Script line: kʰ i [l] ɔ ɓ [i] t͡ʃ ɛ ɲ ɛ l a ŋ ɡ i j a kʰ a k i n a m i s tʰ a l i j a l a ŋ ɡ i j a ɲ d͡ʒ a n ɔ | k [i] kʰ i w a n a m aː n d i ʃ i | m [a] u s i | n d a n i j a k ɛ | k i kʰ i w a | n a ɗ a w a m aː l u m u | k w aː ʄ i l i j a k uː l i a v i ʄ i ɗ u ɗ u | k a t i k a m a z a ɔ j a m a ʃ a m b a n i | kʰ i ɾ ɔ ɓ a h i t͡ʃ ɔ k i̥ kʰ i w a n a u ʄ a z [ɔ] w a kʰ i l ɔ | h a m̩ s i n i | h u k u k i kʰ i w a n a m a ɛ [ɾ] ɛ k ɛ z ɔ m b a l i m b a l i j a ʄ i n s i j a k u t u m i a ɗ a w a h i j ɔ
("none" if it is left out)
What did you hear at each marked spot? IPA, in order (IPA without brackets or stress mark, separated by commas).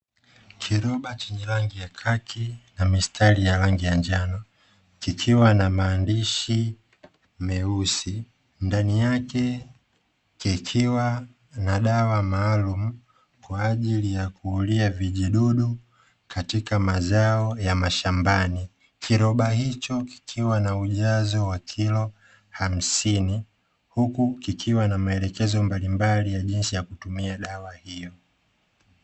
ɾ, a, i, ɛ, ɔ, l